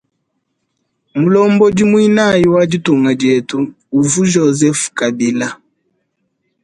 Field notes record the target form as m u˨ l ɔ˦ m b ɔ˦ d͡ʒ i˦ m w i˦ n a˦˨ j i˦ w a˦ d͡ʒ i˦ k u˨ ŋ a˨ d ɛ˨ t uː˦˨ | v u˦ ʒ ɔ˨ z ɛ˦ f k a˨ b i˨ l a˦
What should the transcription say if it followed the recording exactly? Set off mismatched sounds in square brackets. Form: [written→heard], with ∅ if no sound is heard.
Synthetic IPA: m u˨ l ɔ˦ m b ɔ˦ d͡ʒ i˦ m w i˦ n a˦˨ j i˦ w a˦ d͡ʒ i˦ [k→t] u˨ ŋ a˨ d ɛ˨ t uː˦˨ | v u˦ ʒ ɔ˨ z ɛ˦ f k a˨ b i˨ l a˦